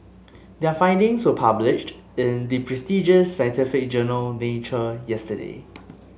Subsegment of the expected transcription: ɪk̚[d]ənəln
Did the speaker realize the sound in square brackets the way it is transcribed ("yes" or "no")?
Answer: no